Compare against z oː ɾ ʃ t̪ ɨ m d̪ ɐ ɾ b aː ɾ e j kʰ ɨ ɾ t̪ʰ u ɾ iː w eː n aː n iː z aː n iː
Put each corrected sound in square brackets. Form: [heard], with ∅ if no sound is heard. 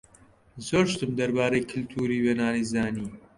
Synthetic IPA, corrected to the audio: z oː ɾ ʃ t̪ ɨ m d̪ ɐ ɾ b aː ɾ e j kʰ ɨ [l] t̪ʰ [uː] ɾ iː w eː n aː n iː z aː n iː